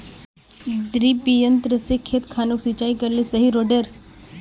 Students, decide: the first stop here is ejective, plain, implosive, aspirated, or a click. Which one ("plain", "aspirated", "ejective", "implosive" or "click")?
plain